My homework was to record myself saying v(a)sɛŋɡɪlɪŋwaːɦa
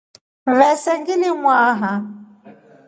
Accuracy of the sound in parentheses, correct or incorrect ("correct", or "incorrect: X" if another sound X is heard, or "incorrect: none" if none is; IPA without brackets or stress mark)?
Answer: incorrect: ɛ